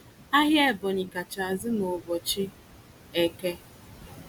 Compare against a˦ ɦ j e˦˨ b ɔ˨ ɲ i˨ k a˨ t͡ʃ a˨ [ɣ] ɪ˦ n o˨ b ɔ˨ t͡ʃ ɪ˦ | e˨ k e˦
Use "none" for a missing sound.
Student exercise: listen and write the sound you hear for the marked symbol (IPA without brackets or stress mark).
z